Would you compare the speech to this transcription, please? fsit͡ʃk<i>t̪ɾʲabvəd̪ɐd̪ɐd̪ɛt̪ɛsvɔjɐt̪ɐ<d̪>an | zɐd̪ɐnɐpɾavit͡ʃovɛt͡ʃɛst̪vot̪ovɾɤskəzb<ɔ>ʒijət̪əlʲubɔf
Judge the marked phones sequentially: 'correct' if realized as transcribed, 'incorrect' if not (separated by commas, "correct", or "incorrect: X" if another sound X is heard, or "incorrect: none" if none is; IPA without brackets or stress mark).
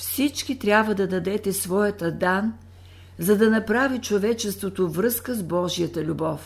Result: correct, correct, correct